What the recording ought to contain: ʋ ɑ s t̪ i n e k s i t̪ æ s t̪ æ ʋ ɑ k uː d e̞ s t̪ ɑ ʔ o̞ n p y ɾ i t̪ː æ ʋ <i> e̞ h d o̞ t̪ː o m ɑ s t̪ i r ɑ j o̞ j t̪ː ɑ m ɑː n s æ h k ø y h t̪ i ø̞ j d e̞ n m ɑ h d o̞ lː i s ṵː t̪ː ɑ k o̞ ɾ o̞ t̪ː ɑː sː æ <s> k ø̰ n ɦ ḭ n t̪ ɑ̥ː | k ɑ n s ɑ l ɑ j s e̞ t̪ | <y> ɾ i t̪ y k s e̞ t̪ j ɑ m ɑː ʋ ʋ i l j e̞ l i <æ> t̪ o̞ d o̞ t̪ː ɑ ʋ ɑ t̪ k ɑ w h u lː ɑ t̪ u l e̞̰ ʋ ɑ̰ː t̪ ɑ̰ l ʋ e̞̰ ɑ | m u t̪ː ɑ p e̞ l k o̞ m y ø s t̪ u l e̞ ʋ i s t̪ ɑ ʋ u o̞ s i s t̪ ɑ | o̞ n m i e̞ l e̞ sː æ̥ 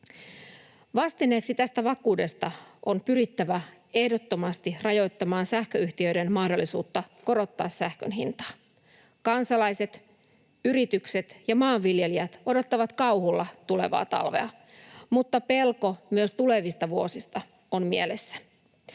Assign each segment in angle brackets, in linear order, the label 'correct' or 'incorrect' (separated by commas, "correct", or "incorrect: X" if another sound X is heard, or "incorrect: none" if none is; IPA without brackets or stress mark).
incorrect: æ, incorrect: h, correct, correct